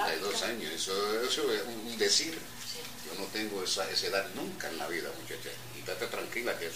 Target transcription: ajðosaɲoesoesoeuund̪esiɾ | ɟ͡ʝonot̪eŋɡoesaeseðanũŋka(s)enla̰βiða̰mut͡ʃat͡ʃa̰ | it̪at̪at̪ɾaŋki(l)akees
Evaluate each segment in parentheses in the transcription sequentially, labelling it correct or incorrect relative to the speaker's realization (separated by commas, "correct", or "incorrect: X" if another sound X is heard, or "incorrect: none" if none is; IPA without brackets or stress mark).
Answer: incorrect: none, correct